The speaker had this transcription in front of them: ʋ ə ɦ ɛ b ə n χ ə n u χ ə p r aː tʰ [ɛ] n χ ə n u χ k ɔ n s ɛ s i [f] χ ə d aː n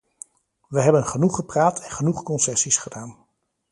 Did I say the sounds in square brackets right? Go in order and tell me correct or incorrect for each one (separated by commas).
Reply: correct, incorrect